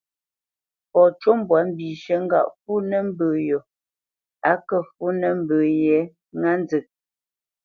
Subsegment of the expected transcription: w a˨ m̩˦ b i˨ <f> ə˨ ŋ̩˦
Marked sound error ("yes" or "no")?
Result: yes